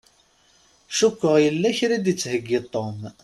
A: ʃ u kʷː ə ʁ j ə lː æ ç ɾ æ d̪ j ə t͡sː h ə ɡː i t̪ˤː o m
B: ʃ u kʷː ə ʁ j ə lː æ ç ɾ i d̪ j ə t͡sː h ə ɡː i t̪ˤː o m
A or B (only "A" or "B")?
B